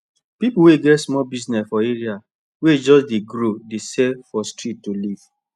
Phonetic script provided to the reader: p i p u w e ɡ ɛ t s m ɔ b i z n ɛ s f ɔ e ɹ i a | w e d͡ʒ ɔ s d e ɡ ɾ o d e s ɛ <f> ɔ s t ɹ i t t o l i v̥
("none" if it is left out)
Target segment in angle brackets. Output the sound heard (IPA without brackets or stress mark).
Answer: f